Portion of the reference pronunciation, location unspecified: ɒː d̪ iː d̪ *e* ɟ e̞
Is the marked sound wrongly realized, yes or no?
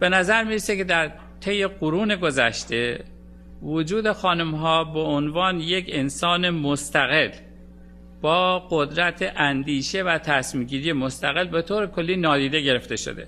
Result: no